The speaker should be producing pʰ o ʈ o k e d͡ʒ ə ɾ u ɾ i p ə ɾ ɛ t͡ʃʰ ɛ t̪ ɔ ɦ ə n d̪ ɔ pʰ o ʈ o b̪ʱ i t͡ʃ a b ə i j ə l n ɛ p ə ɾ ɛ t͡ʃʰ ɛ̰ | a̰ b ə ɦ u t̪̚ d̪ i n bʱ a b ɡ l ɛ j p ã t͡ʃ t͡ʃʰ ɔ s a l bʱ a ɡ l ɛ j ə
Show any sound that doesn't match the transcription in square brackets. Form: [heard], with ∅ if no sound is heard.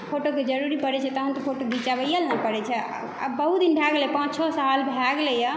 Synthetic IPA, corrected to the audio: pʰ o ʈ o k e d͡ʒ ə ɾ u ɾ i p ə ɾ ɛ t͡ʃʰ ɛ t̪ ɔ ɦ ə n [t̪] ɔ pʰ o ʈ o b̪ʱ i t͡ʃ a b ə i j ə l n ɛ p ə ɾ ɛ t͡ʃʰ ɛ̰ | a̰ b ə ɦ u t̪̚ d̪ i n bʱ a [∅] ɡ l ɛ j p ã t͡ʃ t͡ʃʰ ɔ s a l bʱ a ɡ l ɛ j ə